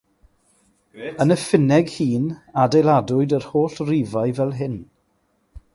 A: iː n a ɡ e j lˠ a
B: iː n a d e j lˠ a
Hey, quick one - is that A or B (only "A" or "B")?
B